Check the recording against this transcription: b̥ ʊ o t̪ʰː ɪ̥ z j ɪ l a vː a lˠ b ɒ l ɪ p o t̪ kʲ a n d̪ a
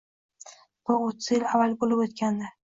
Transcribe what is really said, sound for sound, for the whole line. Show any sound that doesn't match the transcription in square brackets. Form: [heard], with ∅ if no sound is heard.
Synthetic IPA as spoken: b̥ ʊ o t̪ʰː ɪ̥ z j ɪ l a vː a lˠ b [o] l ɪ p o t̪ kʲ a n d̪ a